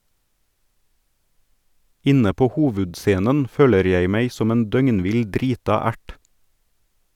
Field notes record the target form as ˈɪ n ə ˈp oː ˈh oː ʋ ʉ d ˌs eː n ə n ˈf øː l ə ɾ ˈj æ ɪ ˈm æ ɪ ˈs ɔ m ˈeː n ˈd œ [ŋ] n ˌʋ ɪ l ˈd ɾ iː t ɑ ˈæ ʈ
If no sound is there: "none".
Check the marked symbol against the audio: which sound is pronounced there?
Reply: ŋ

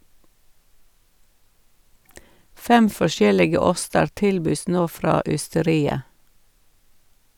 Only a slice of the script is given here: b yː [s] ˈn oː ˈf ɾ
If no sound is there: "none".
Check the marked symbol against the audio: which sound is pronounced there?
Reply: s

